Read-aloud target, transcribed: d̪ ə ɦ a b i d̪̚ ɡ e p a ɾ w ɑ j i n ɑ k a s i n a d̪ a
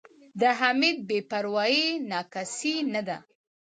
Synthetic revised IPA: d̪ ə ɦ a m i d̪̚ b e p a ɾ w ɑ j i n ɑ k a s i n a d̪ a